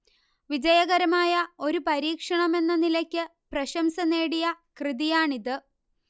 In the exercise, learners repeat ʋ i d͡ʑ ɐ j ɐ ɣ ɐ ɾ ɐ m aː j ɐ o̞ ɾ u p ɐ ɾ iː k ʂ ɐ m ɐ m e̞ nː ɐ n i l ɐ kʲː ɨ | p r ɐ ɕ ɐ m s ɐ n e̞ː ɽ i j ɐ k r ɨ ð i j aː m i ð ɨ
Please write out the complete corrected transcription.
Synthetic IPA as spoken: ʋ i d͡ʑ ɐ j ɐ ɣ ɐ ɾ ɐ m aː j ɐ o̞ ɾ u p ɐ ɾ iː k ʂ ɐ ɳ ɐ m e̞ nː ɐ n i l ɐ kʲː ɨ | p r ɐ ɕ ɐ m s ɐ n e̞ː ɽ i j ɐ k r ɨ ð i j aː ɳ i ð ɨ